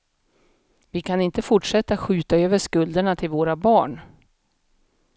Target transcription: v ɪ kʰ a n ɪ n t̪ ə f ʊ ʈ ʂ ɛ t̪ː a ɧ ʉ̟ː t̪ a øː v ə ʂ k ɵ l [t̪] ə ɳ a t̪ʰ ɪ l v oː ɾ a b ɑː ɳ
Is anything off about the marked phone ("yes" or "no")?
yes